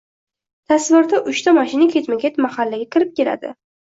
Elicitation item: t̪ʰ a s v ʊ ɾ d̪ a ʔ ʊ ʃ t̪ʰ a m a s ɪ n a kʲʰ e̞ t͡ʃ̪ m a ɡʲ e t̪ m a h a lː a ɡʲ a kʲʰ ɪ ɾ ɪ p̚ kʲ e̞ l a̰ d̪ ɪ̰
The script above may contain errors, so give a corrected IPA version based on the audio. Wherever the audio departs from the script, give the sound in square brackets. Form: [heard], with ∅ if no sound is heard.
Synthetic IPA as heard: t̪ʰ a s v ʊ ɾ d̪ a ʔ ʊ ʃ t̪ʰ a m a [ʃ] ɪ n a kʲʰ e̞ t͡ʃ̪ m a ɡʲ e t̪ m a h a lː a ɡʲ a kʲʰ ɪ ɾ ɪ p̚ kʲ e̞ l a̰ d̪ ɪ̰